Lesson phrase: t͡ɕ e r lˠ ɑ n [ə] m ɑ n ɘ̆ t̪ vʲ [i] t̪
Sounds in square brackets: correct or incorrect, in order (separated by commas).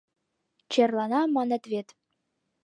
incorrect, incorrect